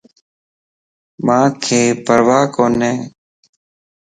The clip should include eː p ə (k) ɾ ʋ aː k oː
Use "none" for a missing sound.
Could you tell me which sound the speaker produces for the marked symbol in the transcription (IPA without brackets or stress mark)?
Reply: none